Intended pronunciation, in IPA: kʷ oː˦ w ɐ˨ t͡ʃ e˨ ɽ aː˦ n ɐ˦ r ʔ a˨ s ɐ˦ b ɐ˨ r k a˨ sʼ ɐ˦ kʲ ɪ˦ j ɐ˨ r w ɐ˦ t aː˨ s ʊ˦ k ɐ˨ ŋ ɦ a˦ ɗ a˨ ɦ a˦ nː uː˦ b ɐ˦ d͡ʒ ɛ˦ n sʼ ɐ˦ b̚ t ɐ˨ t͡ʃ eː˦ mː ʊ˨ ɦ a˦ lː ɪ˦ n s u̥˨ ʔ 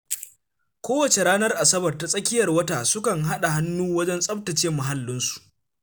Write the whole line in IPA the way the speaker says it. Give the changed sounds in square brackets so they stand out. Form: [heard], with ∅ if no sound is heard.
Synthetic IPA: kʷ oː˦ w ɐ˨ t͡ʃ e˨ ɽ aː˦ n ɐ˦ r ʔ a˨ s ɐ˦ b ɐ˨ r [t] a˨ sʼ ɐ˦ kʲ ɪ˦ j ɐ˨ r w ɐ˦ t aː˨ s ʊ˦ k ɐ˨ ŋ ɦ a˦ ɗ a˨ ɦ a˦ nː uː˦ [w] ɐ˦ d͡ʒ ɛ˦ n sʼ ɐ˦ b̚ t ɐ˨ t͡ʃ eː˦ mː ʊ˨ ɦ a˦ lː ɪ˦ n s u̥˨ ʔ